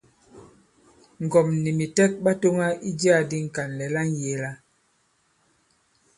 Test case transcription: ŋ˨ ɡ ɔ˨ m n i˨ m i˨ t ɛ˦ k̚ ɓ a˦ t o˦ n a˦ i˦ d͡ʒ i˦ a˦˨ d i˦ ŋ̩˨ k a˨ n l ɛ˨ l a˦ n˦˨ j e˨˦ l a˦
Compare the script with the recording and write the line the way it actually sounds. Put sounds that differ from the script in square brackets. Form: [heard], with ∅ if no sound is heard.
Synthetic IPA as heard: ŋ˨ ɡ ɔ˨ m n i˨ m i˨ t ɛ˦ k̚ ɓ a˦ t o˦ [ŋ] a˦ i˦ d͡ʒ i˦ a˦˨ d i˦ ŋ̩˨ k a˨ n l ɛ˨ l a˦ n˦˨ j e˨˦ l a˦